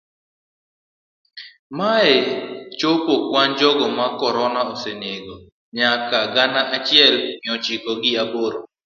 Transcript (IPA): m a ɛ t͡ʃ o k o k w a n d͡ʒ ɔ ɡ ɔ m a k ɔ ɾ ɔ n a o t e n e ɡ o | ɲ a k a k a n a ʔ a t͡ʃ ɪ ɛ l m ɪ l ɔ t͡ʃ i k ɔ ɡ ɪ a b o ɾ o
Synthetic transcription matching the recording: m a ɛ t͡ʃ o p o k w a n d͡ʒ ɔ ɡ ɔ m a k ɔ ɾ ɔ n a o s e n e ɡ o | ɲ a k a ɡ a n a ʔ a t͡ʃ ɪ ɛ l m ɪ ɔ t͡ʃ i k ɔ ɡ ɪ a b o ɾ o